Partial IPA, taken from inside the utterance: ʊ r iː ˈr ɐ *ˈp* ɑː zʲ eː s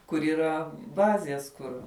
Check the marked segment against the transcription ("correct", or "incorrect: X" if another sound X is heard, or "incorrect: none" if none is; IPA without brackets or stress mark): incorrect: b